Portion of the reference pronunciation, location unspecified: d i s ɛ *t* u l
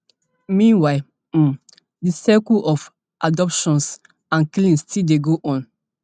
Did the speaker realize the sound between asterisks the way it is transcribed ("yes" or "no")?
no